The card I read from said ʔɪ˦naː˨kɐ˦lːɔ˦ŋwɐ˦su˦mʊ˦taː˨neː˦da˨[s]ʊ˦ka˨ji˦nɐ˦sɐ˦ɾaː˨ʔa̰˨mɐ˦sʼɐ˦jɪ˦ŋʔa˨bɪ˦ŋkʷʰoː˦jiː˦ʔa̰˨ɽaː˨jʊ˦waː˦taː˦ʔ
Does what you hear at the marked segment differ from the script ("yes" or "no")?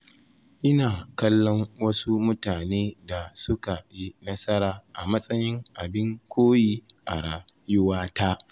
no